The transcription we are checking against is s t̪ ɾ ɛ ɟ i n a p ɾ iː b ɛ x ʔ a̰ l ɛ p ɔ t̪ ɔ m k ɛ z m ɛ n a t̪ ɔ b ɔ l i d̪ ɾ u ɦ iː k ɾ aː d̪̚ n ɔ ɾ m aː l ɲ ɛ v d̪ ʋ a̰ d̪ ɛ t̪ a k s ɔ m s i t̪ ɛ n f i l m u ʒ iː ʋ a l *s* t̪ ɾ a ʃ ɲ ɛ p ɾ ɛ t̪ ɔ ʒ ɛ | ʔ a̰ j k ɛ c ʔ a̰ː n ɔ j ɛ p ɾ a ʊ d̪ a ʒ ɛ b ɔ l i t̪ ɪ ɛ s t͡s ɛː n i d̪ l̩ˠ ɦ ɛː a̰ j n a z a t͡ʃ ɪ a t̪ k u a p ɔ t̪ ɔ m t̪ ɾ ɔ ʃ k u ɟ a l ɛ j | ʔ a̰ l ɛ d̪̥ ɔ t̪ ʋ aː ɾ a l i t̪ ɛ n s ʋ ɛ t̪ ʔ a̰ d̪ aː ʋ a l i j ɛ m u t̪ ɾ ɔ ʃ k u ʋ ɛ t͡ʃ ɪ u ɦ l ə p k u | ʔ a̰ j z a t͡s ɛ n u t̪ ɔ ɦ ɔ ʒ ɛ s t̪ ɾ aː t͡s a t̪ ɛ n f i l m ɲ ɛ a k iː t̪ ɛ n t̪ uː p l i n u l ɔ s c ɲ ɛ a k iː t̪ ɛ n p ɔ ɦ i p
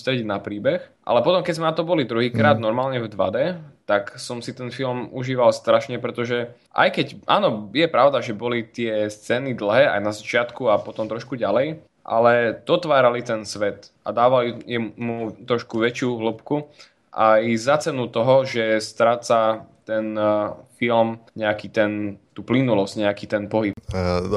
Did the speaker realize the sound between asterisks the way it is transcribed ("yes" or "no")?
yes